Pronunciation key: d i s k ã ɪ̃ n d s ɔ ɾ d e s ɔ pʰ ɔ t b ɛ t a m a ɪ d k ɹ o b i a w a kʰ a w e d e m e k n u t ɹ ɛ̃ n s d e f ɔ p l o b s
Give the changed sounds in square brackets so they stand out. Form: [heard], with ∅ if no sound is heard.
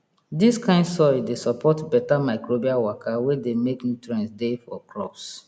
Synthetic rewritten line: d i s k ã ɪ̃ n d s ɔ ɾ d e s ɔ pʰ ɔ t b ɛ t a m a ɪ [∅] k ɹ o b i a w a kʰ a w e d e m e k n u t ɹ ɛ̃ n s d e f ɔ [k] l [ɔ] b s